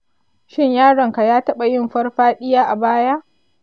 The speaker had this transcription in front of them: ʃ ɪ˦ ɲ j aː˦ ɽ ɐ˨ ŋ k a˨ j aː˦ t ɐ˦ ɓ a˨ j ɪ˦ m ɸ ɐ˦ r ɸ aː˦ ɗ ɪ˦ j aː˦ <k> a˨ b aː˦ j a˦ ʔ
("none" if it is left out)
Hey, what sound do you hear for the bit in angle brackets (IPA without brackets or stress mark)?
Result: ʔ